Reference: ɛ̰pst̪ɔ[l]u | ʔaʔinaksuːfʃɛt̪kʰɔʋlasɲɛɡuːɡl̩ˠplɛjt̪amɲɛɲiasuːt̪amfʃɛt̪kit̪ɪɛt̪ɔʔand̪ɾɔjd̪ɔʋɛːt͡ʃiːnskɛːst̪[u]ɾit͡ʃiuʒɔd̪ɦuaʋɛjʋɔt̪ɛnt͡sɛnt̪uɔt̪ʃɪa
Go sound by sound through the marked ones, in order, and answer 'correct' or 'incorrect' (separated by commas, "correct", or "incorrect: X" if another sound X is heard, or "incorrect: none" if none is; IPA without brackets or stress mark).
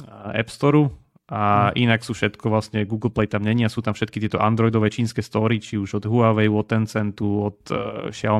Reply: incorrect: ɾ, incorrect: ɔ